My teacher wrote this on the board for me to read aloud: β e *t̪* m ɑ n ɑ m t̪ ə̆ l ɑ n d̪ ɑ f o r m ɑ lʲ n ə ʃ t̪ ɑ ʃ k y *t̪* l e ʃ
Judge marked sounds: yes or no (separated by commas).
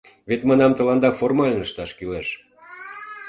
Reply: yes, no